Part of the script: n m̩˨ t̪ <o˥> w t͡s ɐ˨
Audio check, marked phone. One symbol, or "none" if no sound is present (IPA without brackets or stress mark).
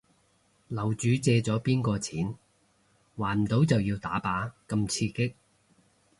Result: o˨˥